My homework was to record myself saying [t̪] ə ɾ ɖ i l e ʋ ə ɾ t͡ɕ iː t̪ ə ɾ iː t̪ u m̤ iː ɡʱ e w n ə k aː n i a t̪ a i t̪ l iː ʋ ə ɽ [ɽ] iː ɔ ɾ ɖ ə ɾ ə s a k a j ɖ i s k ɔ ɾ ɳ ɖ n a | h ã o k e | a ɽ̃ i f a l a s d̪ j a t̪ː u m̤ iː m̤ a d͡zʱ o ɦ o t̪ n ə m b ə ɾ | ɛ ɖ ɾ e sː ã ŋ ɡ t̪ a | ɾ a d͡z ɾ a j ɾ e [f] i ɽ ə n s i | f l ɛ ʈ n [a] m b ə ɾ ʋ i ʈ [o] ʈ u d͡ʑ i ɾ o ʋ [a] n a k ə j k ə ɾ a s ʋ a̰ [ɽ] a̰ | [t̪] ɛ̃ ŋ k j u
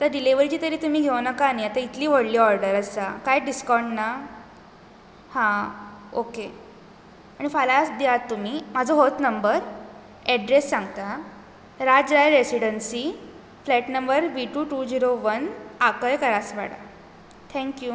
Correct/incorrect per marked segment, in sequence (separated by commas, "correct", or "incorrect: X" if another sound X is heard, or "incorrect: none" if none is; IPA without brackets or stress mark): correct, incorrect: l, incorrect: s, incorrect: ə, incorrect: u, incorrect: ə, correct, incorrect: t̪ʰ